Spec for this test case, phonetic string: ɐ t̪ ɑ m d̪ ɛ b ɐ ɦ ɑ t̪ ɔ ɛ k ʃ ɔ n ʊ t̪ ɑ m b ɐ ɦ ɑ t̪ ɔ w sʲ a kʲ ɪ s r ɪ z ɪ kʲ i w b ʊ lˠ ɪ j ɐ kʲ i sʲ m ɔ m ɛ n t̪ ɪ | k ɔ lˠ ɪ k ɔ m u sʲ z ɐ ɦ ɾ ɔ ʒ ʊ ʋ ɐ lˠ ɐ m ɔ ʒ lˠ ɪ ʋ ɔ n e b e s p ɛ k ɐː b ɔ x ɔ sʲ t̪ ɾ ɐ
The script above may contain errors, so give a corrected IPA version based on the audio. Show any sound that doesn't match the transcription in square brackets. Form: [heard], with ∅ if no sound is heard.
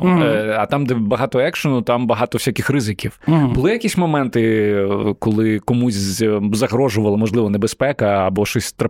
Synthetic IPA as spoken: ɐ t̪ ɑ m d̪ ɛ b ɐ ɦ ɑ t̪ ɔ ɛ k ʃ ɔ n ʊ t̪ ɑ m b ɐ ɦ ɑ t̪ ɔ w sʲ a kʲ ɪ [x] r ɪ z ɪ kʲ i w b ʊ lˠ ɪ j ɐ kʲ i sʲ m ɔ m ɛ n t̪ ɪ | k ɔ lˠ ɪ k ɔ m u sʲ z ɐ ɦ ɾ ɔ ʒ ʊ ʋ ɐ lˠ ɐ m ɔ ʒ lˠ ɪ ʋ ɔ n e b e s p ɛ k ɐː b ɔ [ʃ] ɔ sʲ t̪ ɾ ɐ